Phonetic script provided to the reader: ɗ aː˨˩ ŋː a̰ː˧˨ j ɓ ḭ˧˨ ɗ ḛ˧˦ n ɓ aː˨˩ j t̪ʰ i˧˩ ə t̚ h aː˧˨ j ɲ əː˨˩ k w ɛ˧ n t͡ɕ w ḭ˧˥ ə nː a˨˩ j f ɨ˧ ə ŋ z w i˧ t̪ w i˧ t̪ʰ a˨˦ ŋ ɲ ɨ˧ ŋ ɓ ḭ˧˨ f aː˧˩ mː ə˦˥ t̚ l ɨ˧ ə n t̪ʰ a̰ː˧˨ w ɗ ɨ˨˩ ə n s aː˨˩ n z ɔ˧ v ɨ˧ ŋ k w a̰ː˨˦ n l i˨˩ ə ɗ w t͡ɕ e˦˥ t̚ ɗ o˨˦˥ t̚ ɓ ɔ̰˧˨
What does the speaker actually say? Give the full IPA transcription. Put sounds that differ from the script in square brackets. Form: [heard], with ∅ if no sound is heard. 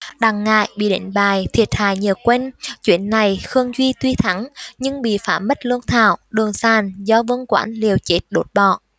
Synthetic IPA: ɗ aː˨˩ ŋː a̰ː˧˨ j ɓ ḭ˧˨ ɗ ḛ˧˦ n ɓ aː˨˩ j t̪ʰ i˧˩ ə t̚ h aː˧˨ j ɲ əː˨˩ k w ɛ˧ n t͡ɕ w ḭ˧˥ ə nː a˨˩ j [x] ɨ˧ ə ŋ z w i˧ t̪ w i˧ t̪ʰ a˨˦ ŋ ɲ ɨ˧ ŋ ɓ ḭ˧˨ f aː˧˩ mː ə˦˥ t̚ l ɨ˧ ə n t̪ʰ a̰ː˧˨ w ɗ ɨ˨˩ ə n s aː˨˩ n z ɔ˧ v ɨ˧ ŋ k w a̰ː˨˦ n l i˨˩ ə [∅] w t͡ɕ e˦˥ t̚ ɗ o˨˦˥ t̚ ɓ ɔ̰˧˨